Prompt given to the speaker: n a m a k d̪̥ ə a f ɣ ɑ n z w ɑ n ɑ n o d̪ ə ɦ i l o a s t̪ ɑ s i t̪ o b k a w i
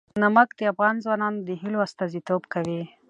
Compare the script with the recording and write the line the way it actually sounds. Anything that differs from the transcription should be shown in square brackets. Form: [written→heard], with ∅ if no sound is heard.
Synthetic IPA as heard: n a m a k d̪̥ ə a f ɣ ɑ n z w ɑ n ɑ n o d̪ ə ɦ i l o a s t̪ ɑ [s→z] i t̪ o b k a w i